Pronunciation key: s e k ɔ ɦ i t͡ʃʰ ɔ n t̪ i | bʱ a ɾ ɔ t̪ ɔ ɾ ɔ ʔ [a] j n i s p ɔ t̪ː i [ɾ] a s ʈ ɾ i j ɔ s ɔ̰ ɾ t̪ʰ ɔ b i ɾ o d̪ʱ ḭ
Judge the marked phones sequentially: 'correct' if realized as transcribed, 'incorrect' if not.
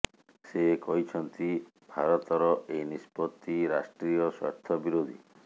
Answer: incorrect, correct

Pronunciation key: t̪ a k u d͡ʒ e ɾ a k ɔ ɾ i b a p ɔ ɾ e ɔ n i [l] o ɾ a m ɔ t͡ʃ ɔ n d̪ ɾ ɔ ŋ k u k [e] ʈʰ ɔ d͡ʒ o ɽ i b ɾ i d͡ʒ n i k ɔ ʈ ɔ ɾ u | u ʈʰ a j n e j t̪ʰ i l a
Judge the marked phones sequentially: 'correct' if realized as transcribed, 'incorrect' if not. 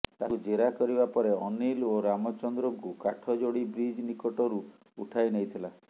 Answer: correct, incorrect

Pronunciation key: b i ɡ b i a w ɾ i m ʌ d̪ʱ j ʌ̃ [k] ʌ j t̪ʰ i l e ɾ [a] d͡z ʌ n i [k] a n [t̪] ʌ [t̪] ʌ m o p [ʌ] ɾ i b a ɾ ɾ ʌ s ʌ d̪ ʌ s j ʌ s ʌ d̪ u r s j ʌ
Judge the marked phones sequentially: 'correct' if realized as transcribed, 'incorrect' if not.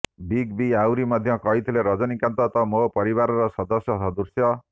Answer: correct, incorrect, correct, correct, correct, correct

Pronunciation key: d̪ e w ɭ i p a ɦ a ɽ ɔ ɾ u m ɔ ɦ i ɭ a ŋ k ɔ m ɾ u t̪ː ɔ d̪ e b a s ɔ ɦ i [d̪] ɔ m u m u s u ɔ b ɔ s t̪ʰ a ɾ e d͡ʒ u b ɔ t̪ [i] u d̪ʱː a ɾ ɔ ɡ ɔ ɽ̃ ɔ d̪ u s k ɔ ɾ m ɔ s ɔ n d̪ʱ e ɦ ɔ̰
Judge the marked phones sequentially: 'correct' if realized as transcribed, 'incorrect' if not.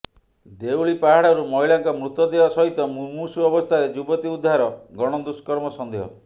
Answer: incorrect, correct

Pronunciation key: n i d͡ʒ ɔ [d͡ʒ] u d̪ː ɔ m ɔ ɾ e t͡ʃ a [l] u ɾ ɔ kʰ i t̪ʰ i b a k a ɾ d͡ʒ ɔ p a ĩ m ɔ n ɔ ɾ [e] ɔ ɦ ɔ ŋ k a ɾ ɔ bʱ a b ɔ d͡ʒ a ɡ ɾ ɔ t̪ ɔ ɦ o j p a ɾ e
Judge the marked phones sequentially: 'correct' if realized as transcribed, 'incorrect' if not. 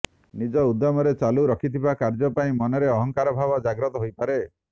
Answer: incorrect, correct, correct

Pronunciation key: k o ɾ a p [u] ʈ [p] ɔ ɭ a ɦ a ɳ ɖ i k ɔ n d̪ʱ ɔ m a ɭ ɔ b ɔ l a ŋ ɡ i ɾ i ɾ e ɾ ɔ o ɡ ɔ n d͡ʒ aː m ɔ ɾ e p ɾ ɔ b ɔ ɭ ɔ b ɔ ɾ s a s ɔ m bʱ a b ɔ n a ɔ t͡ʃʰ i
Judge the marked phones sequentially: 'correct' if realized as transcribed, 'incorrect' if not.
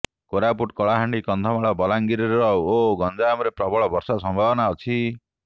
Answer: correct, incorrect

